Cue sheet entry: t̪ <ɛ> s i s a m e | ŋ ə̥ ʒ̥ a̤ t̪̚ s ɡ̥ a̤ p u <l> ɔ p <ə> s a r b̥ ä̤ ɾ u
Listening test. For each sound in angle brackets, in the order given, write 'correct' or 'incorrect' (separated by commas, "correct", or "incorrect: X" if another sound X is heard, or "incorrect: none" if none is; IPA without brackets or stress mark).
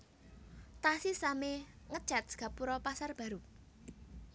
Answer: incorrect: a, incorrect: ɾ, incorrect: a